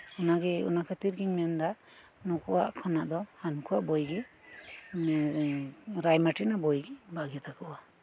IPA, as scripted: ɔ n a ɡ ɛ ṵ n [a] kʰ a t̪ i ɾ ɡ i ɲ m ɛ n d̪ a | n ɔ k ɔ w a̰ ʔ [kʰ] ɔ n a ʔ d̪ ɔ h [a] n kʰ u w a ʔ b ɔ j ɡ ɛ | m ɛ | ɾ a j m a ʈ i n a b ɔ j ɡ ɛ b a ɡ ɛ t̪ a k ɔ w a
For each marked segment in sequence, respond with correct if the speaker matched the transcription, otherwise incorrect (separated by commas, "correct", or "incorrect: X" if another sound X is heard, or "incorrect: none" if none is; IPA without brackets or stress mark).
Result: correct, correct, correct